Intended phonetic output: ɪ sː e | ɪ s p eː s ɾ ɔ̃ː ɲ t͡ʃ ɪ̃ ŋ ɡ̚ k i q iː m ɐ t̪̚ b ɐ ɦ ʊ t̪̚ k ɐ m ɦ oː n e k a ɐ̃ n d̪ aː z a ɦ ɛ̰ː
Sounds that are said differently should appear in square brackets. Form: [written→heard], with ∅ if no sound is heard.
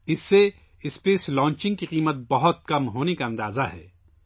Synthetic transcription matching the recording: ɪ sː e | ɪ s p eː s [ɾ→l] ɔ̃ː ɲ t͡ʃ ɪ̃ ŋ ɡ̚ k i q iː m [ɐ→ə] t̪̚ b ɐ ɦ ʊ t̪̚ k ɐ m ɦ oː n e k a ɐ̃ n d̪ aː z a ɦ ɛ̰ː